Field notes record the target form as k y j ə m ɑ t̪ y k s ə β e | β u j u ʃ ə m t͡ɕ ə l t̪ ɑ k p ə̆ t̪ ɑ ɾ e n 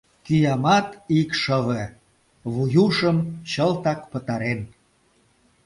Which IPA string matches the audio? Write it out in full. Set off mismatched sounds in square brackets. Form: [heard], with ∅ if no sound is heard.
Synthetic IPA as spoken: k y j [ɑ] m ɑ t̪ [i] k [ʃ] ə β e | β u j u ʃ ə m t͡ɕ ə l t̪ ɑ k p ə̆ t̪ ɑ ɾ e n